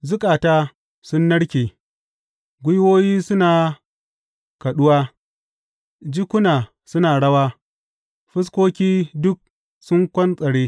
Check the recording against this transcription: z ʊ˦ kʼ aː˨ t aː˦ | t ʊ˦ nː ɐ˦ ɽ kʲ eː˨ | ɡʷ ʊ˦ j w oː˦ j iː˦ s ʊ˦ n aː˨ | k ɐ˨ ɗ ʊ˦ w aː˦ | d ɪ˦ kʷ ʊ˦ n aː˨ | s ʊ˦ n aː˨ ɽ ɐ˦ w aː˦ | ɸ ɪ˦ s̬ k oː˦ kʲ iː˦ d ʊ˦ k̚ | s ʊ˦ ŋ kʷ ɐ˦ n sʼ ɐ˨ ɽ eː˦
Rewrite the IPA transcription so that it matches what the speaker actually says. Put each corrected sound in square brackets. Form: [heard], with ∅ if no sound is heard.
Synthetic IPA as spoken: z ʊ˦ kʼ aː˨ t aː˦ | [s] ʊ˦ nː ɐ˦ ɽ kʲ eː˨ | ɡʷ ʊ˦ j w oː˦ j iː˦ s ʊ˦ n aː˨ | k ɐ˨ ɗ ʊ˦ w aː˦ | [d͡ʒ] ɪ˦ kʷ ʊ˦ n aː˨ | s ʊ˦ n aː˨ ɽ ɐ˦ w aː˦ | ɸ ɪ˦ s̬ k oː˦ kʲ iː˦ d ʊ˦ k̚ | s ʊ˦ ŋ kʷ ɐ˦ n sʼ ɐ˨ ɽ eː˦